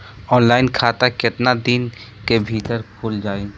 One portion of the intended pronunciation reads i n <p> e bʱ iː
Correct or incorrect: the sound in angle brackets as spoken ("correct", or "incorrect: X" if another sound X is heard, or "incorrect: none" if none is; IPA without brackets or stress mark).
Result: incorrect: k